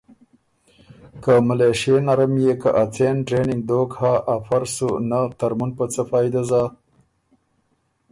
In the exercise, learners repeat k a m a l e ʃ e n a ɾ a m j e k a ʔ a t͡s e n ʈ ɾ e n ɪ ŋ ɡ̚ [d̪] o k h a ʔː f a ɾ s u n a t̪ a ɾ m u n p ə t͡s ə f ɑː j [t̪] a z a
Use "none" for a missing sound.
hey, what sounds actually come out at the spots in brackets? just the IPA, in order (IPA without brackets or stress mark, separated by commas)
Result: d̪, d̪